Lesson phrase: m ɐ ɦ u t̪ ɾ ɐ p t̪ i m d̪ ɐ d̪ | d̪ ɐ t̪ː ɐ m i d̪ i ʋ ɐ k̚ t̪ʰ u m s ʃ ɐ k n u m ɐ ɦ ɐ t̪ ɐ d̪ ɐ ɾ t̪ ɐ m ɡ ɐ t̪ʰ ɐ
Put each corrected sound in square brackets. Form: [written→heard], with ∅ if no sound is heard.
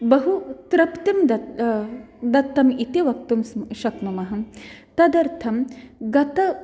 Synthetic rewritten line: [m→b] ɐ ɦ u t̪ ɾ ɐ p t̪ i m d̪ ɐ [d̪→∅] | d̪ ɐ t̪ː ɐ m i [d̪→t̪] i ʋ ɐ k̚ [t̪ʰ→t̪] u m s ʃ ɐ k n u m ɐ ɦ ɐ t̪ ɐ d̪ ɐ ɾ [t̪→t̪ʰ] ɐ m ɡ ɐ [t̪ʰ→t̪] ɐ